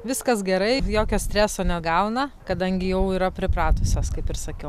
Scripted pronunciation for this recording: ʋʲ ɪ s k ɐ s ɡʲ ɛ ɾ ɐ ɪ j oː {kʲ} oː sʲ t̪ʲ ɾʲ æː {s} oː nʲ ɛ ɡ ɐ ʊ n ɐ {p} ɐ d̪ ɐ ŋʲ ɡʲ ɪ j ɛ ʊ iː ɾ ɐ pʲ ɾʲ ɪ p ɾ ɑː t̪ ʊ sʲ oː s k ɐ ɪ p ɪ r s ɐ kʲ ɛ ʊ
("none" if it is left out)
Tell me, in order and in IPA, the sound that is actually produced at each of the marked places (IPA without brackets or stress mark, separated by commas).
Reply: kʲ, s, k